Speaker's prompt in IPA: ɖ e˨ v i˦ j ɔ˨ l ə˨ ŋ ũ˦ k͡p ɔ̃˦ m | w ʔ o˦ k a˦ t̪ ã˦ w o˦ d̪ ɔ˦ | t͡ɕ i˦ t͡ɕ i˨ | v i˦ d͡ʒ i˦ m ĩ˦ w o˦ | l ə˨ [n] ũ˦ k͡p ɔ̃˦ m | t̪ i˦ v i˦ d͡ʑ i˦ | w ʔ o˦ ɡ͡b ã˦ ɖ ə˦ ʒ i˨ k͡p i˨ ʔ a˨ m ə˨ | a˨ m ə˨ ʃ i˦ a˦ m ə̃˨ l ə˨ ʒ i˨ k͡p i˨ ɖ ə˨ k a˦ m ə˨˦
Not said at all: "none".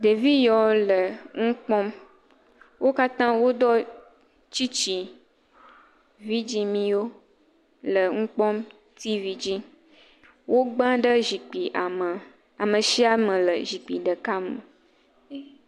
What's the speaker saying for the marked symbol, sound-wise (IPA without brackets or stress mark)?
ŋ